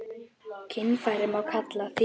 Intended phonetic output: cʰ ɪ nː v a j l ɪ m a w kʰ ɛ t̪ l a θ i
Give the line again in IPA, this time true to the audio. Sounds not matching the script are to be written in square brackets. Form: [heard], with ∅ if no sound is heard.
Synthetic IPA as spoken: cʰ ɪ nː [f] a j [ɾ] ɪ m a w kʰ [a] t̪ l a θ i